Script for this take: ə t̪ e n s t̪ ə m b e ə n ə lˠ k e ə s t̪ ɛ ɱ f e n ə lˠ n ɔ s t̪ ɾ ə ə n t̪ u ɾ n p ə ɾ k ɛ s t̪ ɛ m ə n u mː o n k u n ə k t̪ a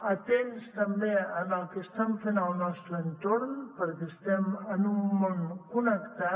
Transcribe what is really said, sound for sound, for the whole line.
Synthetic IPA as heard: ə t̪ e n s t̪ ə m b e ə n ə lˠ k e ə s t̪ ɛ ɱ f e n ə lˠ n ɔ s t̪ ɾ ə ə n t̪ o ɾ n p ə ɾ k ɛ s t̪ ɛ m ə n u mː o n k u n ə k t̪ a